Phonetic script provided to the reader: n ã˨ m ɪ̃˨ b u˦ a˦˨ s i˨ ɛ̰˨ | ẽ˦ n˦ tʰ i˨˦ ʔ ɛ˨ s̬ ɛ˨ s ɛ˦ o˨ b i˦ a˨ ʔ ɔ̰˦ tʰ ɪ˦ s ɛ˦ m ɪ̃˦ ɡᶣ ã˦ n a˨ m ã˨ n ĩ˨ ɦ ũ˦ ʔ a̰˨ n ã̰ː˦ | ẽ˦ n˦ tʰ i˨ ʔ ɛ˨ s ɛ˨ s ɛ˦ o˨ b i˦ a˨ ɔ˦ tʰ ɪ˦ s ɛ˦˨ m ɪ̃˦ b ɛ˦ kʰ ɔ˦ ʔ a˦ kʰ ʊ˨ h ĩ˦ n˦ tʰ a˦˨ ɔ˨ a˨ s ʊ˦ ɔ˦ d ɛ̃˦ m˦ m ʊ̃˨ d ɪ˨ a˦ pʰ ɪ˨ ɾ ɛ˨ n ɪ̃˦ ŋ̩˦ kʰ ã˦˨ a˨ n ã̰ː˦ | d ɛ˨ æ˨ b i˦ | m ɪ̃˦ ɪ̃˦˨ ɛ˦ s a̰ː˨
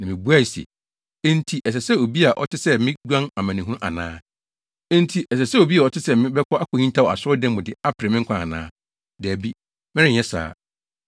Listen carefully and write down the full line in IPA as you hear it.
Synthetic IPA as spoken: n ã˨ m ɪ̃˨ b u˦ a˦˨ s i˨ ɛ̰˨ | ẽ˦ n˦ tʰ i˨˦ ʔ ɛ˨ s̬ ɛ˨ s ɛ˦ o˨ b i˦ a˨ ʔ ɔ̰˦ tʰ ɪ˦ s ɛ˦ m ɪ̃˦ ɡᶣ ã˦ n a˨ m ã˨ n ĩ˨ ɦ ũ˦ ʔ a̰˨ n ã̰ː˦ | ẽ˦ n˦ tʰ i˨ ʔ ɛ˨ s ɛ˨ s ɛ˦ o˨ b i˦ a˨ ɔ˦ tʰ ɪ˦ s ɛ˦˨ m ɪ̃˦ b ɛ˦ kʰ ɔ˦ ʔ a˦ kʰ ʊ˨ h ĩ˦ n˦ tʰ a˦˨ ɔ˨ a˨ s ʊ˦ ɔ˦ d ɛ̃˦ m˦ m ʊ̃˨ d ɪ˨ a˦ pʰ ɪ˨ ɾ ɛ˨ m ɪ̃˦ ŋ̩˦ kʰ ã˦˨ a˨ n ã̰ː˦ | d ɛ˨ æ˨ b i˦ | m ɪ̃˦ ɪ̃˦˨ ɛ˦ s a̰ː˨